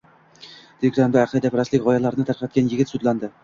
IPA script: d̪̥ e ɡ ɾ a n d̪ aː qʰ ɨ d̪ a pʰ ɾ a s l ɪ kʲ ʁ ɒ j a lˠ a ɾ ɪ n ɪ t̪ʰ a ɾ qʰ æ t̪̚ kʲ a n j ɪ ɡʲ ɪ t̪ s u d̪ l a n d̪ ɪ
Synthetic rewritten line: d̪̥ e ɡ ɾ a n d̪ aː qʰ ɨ d̪ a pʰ ɾ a s l ɪ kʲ ʁ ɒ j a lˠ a ɾ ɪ n ɪ t̪ʰ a ɾ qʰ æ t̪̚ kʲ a n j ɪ ɡʲ ɪ t̪ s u d̪ l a n d̪ ɪ